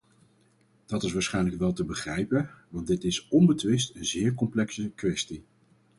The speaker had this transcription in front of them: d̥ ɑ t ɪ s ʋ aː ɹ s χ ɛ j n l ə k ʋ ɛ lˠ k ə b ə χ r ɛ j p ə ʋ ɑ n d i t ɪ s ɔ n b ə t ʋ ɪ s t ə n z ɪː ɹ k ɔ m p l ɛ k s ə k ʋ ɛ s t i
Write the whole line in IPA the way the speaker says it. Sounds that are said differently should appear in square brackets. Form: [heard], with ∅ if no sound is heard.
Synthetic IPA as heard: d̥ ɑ t ɪ s ʋ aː ɹ s χ ɛ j n l ə k ʋ ɛ lˠ [t] ə b ə χ r ɛ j p ə ʋ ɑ n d [ɪ] t ɪ s ɔ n b ə t ʋ ɪ s t ə n z ɪː ɹ k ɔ m p l ɛ k s ə k ʋ ɛ s t i